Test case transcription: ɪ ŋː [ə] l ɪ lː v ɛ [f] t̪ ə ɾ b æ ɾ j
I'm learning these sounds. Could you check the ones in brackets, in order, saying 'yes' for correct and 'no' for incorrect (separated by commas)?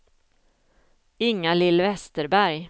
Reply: no, no